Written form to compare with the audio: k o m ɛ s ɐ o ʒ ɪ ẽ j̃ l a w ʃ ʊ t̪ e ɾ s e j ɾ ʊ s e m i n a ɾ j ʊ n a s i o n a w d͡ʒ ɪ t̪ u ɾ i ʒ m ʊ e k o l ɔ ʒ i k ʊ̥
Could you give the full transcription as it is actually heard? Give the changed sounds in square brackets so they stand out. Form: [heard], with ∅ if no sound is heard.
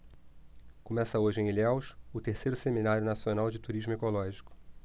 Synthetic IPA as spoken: k o m ɛ s ɐ o ʒ ɪ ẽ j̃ l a w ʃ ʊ t̪ e ɾ s e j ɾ ʊ s e m i n a ɾ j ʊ n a s i o n a w d͡ʒ ɪ t̪ u ɾ i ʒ m ʊ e k o l ɔ ʒ i k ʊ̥